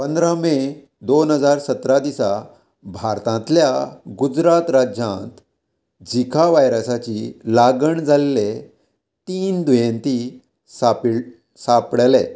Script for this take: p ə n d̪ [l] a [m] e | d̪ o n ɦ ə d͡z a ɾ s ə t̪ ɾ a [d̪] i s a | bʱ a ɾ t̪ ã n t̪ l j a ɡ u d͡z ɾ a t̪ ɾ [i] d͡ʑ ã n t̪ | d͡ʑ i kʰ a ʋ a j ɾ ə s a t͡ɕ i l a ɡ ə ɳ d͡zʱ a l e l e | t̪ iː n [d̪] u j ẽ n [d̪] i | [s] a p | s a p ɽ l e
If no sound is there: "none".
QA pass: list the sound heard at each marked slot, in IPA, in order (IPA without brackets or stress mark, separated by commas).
ɾ, m, d̪, a, d̪, t̪, s